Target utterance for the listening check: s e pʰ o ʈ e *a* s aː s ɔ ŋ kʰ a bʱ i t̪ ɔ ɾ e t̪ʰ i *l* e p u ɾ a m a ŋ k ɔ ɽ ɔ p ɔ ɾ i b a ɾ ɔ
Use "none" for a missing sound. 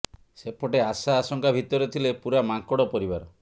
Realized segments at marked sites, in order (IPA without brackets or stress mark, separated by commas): a, l